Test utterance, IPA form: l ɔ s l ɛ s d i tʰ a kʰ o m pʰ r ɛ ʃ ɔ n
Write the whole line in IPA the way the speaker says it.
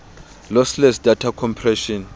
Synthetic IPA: l ɔ s l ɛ s d a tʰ a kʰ ɔ m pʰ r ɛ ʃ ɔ n